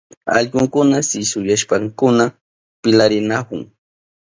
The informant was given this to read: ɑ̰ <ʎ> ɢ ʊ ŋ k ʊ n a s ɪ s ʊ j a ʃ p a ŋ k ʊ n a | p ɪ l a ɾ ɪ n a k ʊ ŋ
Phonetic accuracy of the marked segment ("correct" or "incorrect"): correct